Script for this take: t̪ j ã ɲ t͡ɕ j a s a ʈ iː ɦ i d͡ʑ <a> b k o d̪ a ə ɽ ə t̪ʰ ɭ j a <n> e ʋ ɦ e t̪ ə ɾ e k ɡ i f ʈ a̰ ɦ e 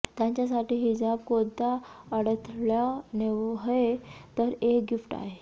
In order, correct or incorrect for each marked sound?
correct, correct

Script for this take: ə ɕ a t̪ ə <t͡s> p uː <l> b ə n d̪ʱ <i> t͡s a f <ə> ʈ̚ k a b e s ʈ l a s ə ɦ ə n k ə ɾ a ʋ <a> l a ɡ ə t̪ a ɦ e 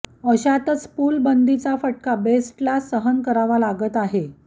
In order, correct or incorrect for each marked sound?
correct, correct, correct, correct, correct

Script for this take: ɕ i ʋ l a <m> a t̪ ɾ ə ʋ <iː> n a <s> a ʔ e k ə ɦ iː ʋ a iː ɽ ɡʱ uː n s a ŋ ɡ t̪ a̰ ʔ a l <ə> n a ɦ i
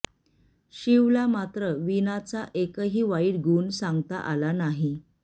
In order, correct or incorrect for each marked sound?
correct, incorrect: i, incorrect: t͡s, incorrect: a

